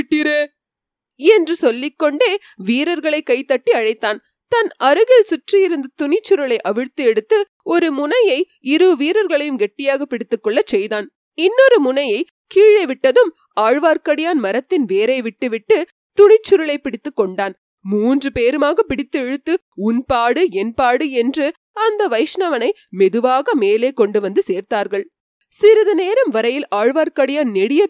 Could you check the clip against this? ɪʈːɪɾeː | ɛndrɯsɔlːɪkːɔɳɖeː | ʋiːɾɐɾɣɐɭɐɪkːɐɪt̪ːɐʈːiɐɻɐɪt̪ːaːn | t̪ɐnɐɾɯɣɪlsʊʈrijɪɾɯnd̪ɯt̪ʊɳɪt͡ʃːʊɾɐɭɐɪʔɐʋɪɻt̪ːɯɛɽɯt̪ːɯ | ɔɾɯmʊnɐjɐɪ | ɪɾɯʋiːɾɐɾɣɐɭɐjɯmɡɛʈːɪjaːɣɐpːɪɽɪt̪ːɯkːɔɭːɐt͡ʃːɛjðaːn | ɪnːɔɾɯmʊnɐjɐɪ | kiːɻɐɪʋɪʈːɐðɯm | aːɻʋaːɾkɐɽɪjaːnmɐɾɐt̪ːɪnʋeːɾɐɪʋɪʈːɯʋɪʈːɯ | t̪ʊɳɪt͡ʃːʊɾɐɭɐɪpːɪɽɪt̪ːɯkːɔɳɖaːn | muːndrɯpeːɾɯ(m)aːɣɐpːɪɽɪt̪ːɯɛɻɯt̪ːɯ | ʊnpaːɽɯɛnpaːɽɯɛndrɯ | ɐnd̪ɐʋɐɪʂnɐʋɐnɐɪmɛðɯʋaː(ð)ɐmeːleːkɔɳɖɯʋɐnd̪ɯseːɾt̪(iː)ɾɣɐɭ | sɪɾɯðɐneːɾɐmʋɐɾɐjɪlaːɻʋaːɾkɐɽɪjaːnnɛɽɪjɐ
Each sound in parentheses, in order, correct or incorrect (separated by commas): correct, incorrect, incorrect